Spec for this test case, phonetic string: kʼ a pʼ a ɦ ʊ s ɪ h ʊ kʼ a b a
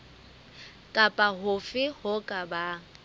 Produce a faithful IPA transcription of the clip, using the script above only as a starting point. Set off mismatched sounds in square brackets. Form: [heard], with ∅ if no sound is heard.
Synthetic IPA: kʼ a pʼ a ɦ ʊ [f] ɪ h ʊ kʼ a b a